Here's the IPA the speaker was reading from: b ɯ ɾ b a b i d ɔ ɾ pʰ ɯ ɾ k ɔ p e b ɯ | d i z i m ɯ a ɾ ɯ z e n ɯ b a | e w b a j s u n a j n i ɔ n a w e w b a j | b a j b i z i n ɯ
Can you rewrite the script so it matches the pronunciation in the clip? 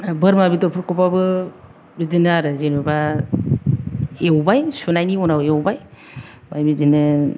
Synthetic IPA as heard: b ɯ ɾ m a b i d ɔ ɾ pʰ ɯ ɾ k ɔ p a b ɯ | b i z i n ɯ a ɾ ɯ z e n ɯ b a | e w b a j s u n a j n i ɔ n a w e w b a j | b a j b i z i n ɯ